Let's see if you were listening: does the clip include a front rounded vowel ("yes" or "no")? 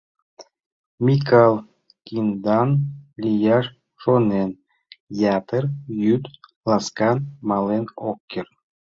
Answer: yes